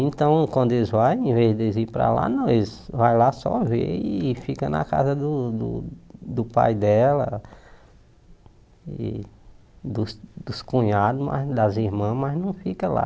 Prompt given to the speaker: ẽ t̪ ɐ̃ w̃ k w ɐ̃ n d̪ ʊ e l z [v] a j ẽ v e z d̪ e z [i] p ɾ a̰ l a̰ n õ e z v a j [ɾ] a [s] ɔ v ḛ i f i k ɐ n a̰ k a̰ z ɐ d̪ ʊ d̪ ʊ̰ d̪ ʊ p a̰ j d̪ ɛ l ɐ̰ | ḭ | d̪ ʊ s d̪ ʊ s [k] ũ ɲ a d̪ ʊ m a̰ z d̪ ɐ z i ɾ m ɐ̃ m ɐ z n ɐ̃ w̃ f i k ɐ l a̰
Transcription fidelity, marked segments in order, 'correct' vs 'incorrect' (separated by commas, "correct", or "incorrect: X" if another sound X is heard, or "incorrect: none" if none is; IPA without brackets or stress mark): correct, correct, incorrect: l, correct, correct